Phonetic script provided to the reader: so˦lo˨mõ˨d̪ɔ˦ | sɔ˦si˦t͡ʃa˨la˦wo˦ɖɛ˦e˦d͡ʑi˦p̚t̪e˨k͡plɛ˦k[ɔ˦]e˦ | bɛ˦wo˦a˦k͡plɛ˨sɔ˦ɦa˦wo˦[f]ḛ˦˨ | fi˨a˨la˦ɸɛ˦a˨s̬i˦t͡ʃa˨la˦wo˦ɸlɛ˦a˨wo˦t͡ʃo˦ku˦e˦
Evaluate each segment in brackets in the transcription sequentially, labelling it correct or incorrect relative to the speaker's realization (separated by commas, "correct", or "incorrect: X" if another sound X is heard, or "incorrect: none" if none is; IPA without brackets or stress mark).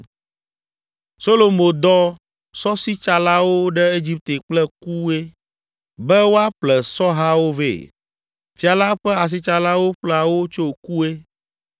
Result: incorrect: u˦, incorrect: v